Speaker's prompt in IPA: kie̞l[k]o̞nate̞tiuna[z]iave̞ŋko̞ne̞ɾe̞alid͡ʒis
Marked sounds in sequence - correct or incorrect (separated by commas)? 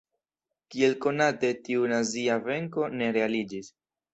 correct, correct